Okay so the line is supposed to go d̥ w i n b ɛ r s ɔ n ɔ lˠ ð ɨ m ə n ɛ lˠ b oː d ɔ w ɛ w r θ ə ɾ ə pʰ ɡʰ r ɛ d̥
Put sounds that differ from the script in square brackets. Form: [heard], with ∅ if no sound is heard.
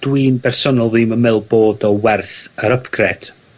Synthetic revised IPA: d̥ w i n b ɛ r s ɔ n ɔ lˠ ð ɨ m ə [m] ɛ lˠ b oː d ɔ w ɛ [∅] r θ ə ɾ ə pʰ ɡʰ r ɛ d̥